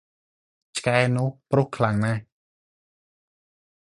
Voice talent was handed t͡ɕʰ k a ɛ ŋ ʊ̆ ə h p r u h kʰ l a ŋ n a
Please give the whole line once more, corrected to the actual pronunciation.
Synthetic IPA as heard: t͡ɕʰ k a ɛ n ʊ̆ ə h p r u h kʰ l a ŋ n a